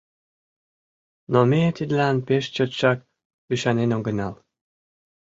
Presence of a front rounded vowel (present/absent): present